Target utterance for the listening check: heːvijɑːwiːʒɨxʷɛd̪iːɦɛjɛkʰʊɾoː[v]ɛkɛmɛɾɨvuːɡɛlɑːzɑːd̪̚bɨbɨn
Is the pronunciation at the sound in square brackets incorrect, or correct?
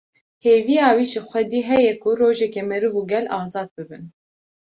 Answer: incorrect